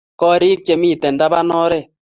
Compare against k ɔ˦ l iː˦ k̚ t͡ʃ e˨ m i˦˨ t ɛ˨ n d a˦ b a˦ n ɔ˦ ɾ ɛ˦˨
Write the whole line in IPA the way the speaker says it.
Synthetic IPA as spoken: k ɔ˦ ɾ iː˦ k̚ t͡ʃ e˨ m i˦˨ t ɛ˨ n d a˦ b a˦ n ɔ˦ ɾ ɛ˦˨